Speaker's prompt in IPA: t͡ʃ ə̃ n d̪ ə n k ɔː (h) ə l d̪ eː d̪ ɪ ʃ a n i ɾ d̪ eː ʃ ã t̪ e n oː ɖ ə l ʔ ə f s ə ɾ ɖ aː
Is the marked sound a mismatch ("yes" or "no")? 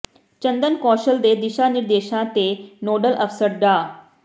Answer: yes